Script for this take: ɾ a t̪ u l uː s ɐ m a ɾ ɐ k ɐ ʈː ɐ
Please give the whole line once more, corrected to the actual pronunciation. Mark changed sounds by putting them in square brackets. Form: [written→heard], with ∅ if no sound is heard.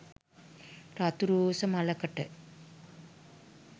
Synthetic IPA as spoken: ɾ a t̪ u [l→ɾ] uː s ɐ m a [ɾ→l] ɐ k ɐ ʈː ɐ